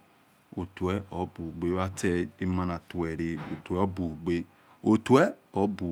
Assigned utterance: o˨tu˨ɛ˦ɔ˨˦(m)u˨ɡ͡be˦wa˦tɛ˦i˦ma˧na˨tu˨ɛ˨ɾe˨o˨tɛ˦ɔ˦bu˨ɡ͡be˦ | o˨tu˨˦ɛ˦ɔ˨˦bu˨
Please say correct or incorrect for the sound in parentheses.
incorrect